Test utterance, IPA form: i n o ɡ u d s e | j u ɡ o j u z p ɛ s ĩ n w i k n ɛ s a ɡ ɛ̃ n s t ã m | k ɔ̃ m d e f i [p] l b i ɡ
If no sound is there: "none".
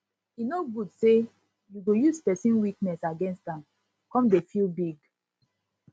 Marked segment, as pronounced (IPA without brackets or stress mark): none